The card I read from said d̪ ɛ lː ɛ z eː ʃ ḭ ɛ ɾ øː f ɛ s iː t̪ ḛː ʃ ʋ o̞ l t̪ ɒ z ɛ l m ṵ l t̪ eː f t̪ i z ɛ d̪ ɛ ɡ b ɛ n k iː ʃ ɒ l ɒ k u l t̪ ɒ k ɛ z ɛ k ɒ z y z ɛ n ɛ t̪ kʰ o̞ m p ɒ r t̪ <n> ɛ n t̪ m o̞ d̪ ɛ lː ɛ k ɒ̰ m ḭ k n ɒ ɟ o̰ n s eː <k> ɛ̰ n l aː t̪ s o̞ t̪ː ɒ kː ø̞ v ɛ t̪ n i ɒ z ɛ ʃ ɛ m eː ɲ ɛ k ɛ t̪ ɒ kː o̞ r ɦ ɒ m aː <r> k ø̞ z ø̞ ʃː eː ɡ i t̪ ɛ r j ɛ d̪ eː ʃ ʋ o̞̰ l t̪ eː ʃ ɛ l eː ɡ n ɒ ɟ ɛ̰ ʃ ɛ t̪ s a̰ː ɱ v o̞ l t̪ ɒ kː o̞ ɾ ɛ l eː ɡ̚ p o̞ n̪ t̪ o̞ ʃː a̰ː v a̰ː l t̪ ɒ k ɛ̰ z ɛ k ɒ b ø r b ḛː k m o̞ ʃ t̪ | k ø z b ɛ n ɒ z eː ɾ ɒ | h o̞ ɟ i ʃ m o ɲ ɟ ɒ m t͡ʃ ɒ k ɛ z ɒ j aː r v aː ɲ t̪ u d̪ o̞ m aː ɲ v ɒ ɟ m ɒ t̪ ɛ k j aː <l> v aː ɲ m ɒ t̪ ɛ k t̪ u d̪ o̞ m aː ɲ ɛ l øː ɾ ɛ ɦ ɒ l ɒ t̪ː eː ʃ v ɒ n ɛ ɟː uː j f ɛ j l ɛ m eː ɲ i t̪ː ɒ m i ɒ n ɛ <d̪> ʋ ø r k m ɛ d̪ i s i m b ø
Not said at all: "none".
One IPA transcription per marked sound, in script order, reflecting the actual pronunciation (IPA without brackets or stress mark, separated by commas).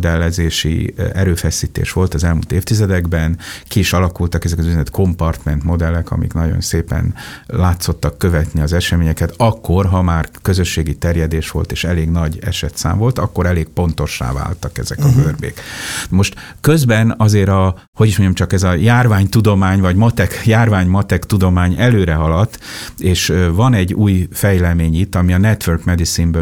m, p, r, r, t̪